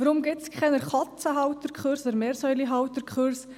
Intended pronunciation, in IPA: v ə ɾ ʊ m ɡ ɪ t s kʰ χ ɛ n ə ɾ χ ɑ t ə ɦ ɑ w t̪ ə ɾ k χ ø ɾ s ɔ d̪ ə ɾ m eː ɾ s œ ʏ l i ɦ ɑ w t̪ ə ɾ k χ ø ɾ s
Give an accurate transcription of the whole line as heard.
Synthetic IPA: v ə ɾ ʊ m ɡ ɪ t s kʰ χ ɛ n ə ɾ χ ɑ t͡s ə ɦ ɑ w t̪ ə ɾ k χ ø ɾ s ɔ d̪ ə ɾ m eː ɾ s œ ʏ l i ɦ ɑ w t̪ ə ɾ k χ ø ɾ s